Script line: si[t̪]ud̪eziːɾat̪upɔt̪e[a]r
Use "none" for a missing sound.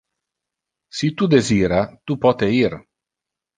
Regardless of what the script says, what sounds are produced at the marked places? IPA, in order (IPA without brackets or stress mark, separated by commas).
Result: t̪, i